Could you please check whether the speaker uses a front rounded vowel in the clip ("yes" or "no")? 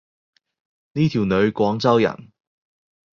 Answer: no